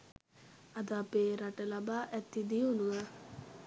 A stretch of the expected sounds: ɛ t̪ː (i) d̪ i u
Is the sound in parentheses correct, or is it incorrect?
correct